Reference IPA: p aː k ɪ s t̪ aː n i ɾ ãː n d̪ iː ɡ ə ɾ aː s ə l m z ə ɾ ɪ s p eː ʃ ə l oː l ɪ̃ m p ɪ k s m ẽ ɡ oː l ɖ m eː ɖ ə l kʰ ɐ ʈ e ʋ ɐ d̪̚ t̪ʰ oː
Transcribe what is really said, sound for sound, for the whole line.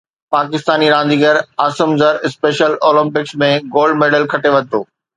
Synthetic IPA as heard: p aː k ɪ s t̪ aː n i ɾ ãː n d̪ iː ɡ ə ɾ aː s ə m z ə ɾ ɪ s p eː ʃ ə l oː l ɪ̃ m p ɪ k s m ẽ ɡ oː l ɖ m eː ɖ ə l kʰ ɐ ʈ e ʋ ɐ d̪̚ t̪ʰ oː